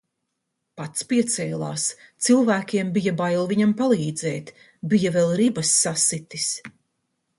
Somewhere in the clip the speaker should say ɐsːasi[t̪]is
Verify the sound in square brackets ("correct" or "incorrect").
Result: correct